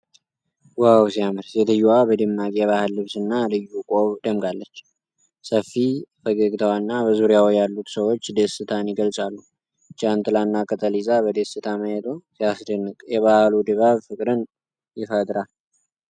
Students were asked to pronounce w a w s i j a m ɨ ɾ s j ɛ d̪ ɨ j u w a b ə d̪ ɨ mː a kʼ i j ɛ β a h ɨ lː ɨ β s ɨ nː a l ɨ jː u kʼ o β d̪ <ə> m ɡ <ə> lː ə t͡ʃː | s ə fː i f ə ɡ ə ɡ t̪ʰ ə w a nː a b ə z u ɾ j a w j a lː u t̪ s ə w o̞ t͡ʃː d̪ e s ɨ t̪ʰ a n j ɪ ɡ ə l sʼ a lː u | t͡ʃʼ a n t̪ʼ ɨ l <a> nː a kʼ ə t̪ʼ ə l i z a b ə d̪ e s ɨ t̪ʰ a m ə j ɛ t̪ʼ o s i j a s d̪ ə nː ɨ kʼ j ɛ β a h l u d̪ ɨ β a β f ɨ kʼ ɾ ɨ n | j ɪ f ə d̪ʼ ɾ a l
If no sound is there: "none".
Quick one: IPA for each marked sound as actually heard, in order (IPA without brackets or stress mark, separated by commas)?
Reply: ə, a, a